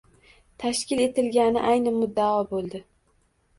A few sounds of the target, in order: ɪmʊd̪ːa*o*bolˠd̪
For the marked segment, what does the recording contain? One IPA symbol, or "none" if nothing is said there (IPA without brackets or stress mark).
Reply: ɒ